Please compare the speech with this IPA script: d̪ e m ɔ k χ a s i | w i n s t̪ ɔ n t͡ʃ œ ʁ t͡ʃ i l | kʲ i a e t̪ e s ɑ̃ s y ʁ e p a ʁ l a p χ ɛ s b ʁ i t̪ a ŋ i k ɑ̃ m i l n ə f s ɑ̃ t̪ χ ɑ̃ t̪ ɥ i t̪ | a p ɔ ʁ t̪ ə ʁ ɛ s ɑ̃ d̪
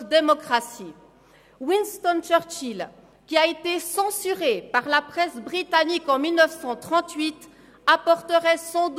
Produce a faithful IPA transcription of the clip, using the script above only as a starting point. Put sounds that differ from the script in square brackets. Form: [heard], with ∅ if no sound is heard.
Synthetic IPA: d̪ e m ɔ k χ a s i | w i n s t̪ ɔ n t͡ʃ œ ʁ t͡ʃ i l | kʲ i a e t̪ e s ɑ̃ s y ʁ e p a ʁ l a p χ ɛ s b ʁ i t̪ a [n] i k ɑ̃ m i l n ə f s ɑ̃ t̪ χ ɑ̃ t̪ ɥ i t̪ | a p ɔ ʁ t̪ ə ʁ ɛ s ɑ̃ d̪